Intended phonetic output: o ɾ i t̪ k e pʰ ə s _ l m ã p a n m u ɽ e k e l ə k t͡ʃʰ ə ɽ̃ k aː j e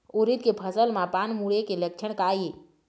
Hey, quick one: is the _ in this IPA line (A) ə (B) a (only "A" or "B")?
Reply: A